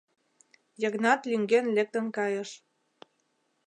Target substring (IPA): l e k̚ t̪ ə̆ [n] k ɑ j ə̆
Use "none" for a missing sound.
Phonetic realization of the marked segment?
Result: n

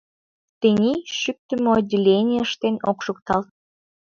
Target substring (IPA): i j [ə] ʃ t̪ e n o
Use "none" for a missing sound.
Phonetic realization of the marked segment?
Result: ə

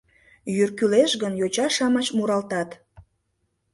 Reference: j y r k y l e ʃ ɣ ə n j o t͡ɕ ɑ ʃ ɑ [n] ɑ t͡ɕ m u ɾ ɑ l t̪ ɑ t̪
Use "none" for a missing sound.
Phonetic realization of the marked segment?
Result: m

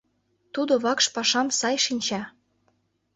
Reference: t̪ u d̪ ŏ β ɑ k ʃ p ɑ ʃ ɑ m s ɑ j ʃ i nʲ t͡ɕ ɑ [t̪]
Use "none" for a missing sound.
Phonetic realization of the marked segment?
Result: none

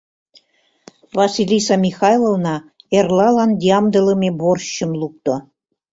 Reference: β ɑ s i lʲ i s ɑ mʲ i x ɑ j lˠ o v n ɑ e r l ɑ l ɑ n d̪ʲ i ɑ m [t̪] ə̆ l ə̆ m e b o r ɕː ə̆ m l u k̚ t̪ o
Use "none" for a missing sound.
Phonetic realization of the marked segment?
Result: d̪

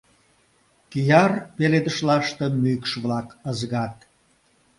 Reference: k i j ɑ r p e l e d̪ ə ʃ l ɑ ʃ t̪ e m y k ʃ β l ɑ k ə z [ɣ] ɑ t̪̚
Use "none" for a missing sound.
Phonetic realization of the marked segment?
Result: ɣ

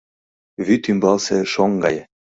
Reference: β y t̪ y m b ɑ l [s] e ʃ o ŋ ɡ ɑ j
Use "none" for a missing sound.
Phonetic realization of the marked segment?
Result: s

